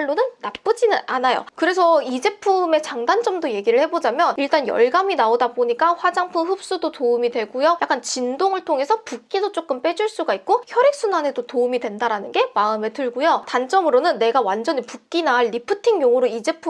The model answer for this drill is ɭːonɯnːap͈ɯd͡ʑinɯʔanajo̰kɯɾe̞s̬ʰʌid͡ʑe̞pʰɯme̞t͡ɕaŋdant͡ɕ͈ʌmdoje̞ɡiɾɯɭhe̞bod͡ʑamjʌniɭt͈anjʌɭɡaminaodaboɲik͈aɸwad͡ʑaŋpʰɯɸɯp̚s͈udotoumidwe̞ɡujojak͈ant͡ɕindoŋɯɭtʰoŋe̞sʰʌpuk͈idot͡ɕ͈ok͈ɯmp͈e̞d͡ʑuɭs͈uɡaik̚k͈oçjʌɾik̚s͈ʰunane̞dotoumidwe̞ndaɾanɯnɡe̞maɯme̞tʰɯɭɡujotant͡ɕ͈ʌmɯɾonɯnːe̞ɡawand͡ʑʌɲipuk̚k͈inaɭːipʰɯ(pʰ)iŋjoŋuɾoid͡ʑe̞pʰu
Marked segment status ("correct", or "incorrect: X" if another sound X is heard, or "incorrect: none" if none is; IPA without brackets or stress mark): incorrect: tʰ